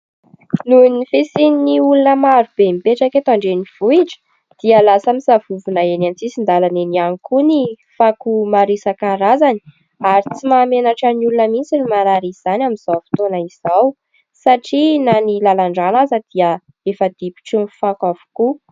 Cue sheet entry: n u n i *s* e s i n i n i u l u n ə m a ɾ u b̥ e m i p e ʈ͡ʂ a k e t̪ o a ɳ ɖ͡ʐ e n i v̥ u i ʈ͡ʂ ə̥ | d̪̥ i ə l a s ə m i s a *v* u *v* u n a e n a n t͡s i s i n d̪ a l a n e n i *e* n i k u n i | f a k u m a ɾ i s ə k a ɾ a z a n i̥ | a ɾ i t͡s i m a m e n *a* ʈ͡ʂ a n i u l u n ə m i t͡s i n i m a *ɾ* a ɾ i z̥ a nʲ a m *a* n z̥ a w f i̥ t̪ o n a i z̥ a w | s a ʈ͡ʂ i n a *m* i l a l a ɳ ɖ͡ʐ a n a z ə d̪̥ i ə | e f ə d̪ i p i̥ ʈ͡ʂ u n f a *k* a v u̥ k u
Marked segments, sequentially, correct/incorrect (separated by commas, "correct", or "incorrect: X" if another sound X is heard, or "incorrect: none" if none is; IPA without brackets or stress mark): incorrect: f, correct, correct, incorrect: a, correct, correct, incorrect: i, incorrect: n, correct